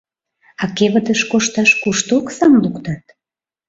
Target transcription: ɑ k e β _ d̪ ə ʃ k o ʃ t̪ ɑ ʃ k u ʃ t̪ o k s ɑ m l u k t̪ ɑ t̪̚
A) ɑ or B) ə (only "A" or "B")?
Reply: B